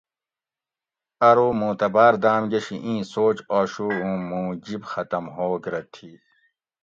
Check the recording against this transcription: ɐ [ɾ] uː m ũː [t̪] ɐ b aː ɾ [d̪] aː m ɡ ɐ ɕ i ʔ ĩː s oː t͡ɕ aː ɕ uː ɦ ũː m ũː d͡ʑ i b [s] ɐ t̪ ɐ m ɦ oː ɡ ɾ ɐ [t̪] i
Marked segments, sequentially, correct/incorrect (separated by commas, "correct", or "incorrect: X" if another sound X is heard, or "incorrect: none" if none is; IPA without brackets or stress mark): correct, correct, correct, incorrect: x, incorrect: t̪ʰ